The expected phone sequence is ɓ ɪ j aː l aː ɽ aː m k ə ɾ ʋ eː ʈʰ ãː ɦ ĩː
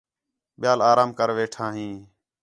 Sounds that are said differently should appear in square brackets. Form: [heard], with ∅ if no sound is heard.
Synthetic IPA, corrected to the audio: ɓ ɪ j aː l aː [ɾ] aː m k ə ɾ ʋ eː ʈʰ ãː ɦ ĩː